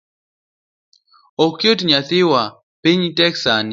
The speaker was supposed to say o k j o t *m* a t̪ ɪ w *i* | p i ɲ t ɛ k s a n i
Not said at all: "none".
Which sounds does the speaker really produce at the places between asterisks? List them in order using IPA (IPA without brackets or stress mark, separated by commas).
ɲ, a